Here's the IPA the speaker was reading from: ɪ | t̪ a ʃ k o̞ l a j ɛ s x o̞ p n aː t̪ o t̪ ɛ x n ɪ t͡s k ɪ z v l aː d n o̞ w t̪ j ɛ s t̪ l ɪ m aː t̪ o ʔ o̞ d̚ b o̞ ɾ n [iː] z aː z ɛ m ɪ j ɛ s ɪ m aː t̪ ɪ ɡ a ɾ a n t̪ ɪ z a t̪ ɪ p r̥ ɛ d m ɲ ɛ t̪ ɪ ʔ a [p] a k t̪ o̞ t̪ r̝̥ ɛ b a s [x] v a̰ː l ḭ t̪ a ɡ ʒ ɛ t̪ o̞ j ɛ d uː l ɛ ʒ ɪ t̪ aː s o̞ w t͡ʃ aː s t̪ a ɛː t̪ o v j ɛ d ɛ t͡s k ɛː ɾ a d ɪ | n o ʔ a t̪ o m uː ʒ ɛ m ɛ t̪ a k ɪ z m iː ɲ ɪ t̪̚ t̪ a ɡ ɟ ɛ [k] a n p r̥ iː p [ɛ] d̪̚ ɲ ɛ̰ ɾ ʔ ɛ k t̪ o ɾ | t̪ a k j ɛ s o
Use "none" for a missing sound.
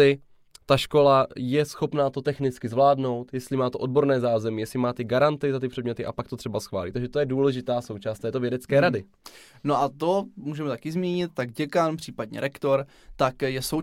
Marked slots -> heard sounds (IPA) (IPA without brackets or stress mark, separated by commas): ɛː, p, x, k, a